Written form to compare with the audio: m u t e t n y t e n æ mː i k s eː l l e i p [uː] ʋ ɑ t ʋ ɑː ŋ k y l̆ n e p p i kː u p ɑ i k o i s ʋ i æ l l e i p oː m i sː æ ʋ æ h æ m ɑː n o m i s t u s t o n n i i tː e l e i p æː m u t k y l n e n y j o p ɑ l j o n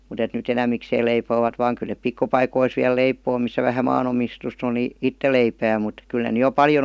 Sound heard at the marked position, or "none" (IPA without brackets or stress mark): oː